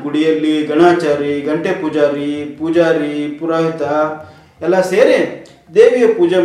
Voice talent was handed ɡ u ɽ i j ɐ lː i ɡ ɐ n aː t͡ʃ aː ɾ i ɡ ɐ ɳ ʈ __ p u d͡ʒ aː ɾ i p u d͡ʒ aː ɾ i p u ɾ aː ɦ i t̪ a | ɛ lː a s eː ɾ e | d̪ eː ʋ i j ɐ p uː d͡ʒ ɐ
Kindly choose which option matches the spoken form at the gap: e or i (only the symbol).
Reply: e